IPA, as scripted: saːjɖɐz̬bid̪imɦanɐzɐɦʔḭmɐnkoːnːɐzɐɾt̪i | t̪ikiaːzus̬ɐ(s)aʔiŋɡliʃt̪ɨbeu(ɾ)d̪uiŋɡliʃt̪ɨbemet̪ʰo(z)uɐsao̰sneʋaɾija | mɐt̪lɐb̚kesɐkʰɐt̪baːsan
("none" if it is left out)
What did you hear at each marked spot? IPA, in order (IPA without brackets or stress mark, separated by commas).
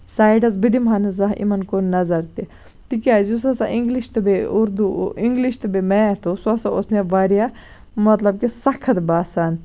s, ɾ, s